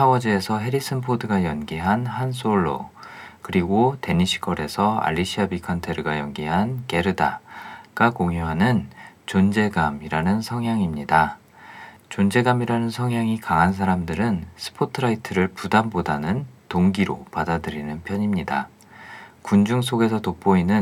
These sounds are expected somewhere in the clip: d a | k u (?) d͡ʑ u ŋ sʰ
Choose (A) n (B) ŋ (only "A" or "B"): A